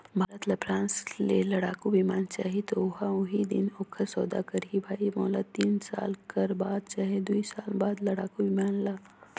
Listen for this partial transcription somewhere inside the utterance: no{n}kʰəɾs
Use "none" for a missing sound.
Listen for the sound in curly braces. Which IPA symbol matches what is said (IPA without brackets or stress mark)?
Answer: none